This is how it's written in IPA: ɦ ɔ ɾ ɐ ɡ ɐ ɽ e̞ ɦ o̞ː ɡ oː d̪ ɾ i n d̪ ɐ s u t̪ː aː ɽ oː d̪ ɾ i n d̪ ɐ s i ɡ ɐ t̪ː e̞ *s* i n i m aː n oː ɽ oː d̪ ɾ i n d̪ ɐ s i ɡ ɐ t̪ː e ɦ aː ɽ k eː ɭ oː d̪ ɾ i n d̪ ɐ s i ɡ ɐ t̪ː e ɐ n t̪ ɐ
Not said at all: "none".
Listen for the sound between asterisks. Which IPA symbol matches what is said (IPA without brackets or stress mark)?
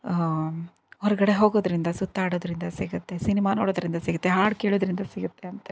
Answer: s